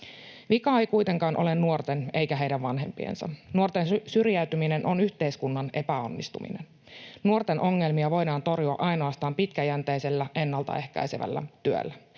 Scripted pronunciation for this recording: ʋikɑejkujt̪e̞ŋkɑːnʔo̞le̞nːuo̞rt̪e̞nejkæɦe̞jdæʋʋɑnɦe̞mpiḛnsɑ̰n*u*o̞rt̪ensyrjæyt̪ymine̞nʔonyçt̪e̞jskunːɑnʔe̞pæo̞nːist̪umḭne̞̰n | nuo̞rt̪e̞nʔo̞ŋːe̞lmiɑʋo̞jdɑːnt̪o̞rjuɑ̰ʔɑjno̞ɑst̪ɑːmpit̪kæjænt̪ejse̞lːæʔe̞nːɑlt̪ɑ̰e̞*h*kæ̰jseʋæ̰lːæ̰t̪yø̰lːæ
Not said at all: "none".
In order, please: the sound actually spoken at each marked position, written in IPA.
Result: u, h

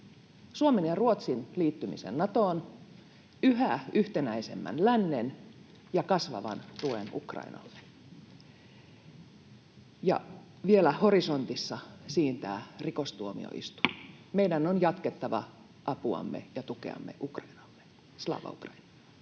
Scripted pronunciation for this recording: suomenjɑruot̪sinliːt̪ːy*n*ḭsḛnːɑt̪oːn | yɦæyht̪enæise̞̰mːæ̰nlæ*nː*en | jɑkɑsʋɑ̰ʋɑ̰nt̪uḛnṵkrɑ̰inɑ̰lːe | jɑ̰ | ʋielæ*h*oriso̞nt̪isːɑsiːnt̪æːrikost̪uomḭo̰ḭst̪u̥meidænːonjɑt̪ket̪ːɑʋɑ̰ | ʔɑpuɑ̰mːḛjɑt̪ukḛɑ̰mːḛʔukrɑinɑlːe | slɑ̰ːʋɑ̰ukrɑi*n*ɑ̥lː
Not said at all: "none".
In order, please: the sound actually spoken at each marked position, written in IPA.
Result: m, nː, h, n

